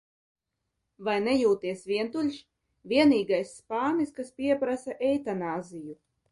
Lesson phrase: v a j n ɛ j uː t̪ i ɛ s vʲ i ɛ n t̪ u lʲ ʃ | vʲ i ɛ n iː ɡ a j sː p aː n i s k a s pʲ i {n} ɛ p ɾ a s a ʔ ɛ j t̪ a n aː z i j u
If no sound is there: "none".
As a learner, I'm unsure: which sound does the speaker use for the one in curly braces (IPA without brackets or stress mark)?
none